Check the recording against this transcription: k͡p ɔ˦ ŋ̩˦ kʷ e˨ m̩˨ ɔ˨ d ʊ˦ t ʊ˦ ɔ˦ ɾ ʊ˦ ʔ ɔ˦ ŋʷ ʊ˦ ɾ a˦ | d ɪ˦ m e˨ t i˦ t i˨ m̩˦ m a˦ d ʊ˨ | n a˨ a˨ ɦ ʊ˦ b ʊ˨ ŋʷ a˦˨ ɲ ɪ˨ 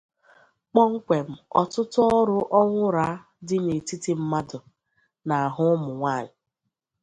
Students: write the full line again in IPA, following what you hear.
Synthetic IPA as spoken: k͡p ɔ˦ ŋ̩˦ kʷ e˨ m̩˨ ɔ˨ t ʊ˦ t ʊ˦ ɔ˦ ɾ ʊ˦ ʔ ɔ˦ ŋʷ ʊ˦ ɾ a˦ | d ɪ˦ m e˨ t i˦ t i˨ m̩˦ m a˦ d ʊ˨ | n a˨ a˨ ɦ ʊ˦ m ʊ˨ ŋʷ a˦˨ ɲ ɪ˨